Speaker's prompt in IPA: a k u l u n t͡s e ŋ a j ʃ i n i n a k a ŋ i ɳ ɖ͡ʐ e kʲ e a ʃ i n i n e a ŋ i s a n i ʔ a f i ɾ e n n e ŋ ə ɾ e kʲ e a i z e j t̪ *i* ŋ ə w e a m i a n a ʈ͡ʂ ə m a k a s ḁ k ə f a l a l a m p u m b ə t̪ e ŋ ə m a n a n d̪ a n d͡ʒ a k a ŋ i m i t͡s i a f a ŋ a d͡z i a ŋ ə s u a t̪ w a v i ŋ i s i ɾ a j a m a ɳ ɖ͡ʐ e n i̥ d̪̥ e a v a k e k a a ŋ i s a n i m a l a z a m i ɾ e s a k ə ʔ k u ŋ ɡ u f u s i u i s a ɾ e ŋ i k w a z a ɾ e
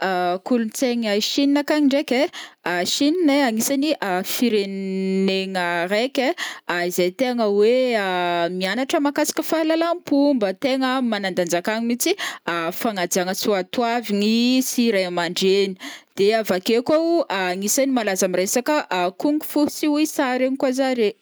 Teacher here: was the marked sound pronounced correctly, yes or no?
no